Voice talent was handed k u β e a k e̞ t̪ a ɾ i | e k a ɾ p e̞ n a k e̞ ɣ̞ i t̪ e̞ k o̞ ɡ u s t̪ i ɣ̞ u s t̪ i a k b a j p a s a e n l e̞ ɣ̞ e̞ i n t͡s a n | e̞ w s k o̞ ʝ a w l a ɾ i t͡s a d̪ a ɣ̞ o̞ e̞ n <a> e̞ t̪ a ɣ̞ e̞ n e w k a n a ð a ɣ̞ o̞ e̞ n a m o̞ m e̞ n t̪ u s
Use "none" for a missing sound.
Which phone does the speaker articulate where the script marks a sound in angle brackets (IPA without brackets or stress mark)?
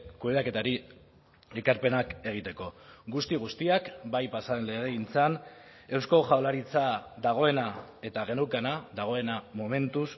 a